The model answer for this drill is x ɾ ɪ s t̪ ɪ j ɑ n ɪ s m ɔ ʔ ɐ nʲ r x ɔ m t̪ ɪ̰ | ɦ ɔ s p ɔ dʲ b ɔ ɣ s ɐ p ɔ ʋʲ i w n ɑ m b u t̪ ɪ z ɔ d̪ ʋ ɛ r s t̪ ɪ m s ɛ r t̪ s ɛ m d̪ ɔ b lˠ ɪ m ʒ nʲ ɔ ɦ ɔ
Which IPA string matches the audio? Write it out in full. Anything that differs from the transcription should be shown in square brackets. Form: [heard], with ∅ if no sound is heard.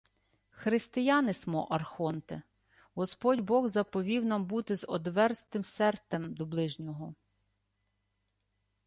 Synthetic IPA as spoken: x ɾ ɪ s t̪ ɪ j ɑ n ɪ s m ɔ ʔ ɐ [∅] r x ɔ [n] t̪ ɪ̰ | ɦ ɔ s p ɔ dʲ b ɔ ɣ [z] ɐ p ɔ ʋʲ i w n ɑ m b u t̪ ɪ z ɔ d̪ ʋ ɛ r s t̪ ɪ m s ɛ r t̪ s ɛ m d̪ ɔ b lˠ ɪ [∅] ʒ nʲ ɔ ɦ ɔ

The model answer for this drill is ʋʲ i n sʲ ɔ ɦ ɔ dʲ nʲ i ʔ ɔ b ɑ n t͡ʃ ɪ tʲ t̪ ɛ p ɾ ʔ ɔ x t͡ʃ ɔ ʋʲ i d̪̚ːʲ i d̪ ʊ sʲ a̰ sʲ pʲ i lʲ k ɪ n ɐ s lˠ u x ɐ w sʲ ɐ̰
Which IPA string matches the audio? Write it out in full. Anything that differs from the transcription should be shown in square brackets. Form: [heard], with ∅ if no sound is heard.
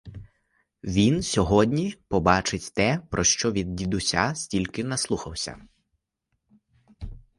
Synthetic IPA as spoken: ʋʲ i n sʲ ɔ ɦ ɔ dʲ nʲ i [p] ɔ b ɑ [∅] t͡ʃ ɪ tʲ t̪ ɛ p ɾ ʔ ɔ [ʃ] t͡ʃ ɔ ʋʲ i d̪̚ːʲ i d̪ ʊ sʲ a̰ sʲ [tʲ] i lʲ k ɪ n ɐ s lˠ u x ɐ w sʲ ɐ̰

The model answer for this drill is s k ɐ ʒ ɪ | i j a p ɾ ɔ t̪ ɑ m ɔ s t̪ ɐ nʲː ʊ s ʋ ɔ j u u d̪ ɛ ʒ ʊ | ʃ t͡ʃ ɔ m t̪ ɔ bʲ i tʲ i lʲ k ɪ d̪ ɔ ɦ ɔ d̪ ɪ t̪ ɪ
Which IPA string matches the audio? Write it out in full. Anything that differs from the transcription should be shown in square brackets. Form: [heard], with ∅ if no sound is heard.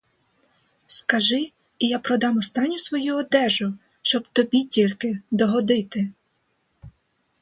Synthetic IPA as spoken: s k ɐ ʒ ɪ | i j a p ɾ ɔ [d̪] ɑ m ɔ s t̪ [ɑ] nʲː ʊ s ʋ ɔ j u [ɔ] d̪ ɛ ʒ ʊ | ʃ t͡ʃ ɔ [b] t̪ ɔ bʲ i tʲ i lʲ k ɪ d̪ ɔ ɦ ɔ d̪ ɪ t̪ ɪ

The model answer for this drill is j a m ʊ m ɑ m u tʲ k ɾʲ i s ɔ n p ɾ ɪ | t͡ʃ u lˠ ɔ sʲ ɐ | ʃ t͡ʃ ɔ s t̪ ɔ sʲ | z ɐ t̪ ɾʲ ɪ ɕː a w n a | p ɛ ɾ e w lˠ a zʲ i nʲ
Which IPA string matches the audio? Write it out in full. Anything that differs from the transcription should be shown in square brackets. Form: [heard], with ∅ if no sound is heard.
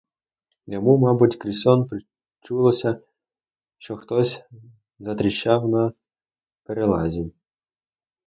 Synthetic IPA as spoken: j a m [u] m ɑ [b] u tʲ k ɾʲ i s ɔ n p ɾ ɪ | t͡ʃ u lˠ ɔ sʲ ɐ | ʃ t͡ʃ ɔ [x] t̪ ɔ sʲ | z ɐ t̪ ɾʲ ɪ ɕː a w n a | p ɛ ɾ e [∅] lˠ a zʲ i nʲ

